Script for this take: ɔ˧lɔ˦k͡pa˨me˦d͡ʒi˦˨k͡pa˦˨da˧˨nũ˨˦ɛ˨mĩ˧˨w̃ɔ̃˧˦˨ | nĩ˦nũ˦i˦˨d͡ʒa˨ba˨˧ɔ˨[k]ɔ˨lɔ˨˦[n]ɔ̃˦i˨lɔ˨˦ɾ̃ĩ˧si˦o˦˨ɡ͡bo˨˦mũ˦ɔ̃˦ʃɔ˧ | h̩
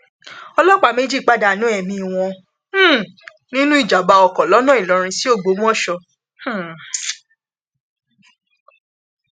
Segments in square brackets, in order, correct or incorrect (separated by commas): correct, correct